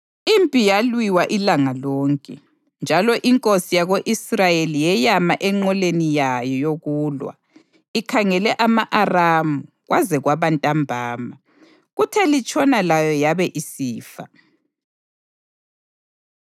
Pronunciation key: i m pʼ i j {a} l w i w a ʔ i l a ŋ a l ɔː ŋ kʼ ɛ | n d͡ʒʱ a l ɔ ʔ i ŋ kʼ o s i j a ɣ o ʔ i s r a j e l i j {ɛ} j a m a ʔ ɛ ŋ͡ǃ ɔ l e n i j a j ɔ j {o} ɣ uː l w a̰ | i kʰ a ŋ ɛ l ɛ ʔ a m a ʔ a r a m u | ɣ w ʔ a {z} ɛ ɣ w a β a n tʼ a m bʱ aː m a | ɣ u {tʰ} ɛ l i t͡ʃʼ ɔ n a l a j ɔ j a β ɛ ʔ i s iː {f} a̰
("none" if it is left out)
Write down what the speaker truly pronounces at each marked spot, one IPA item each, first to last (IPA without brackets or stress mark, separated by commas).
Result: a, ɛ, o, z, tʰ, f